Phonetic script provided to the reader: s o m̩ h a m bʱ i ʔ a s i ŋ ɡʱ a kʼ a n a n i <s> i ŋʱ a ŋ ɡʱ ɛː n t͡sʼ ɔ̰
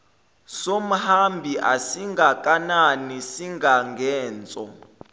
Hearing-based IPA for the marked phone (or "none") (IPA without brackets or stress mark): s